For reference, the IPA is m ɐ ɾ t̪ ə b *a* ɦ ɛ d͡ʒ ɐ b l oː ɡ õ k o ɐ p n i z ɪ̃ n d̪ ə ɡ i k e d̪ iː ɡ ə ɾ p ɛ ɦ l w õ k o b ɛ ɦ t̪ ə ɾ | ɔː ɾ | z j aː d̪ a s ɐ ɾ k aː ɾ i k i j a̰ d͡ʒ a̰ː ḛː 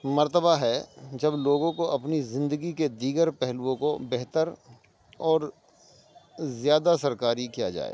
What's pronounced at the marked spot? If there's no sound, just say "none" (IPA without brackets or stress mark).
a